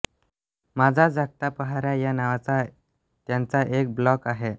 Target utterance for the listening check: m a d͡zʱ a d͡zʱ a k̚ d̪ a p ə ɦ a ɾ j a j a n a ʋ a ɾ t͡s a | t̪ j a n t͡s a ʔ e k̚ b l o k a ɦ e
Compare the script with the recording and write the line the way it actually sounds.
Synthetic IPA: m a d͡zʱ a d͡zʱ a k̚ t̪ a p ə ɦ a ɾ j a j a n a ʋ a t͡s a | t̪ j a n t͡s a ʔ e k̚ b l ɔ k a ɦ e